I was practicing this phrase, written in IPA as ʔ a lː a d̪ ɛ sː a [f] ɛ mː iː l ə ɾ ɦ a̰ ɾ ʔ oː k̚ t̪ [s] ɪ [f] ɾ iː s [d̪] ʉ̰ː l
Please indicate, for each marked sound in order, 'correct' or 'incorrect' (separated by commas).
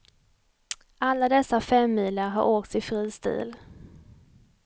correct, correct, correct, incorrect